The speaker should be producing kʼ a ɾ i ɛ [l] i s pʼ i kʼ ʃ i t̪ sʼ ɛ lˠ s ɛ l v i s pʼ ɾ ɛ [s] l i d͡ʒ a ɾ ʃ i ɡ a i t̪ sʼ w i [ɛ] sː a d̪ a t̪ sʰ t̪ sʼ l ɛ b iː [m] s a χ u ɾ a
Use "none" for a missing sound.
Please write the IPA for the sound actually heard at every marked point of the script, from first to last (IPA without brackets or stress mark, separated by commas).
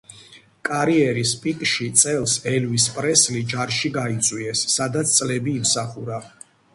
ɾ, s, ɛ, m